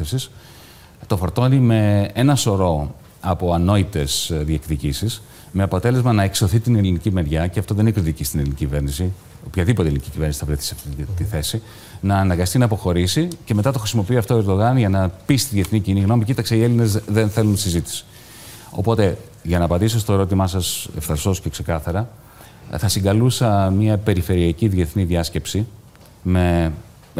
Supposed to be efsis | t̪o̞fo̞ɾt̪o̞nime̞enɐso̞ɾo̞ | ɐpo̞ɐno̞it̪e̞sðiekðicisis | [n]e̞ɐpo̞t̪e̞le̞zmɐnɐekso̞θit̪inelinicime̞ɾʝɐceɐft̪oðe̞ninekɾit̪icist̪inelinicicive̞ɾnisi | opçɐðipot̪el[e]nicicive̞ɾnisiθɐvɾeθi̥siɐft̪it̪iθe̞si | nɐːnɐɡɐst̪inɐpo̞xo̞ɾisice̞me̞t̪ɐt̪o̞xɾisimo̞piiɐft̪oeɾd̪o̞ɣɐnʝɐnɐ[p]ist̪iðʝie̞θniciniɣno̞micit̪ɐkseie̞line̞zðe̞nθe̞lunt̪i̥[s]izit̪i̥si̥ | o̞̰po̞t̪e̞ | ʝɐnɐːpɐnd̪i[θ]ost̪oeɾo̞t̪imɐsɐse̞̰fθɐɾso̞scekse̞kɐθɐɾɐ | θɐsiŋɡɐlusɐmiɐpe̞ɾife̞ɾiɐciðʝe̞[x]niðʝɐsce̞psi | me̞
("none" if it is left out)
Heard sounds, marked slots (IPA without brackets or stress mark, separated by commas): m, i, p, s, s, θ